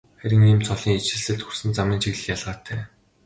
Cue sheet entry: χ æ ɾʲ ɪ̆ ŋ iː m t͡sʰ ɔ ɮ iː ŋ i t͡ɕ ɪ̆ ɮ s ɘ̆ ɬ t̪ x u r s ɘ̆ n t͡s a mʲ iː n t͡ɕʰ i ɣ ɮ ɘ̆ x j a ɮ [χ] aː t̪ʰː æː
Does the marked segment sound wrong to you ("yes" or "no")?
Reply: yes